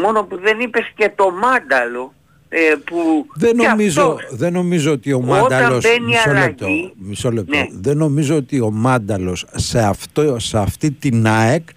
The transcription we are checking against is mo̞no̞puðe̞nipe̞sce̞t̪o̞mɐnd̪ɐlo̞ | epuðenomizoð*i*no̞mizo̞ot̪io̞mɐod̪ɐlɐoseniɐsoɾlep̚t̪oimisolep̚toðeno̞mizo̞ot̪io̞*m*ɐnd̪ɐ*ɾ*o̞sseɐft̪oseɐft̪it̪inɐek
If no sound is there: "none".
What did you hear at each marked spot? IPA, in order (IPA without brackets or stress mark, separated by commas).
e, m, l